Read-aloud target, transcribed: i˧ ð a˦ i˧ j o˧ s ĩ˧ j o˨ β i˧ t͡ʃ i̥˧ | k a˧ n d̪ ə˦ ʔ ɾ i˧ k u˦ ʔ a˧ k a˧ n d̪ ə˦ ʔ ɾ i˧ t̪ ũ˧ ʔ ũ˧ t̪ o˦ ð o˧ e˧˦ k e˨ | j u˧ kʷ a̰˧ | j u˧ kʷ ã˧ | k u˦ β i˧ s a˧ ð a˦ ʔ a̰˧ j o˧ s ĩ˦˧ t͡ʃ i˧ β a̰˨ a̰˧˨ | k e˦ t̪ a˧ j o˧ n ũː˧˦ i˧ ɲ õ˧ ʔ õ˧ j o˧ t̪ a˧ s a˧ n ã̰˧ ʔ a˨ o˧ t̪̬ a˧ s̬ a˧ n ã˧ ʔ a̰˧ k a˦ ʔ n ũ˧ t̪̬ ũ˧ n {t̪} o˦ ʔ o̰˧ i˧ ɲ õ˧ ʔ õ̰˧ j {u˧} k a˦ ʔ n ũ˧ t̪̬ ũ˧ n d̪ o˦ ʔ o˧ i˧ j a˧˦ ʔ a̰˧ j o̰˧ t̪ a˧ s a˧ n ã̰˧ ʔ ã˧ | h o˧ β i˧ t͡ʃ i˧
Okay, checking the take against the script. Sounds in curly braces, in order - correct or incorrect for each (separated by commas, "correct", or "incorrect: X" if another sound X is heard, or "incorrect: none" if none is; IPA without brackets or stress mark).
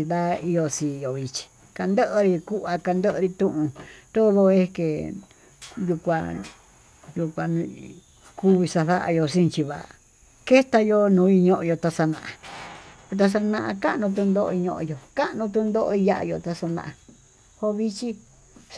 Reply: incorrect: d̪, incorrect: o˧